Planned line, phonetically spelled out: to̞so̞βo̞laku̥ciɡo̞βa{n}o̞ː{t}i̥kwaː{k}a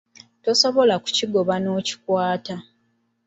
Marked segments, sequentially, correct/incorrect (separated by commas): correct, incorrect, incorrect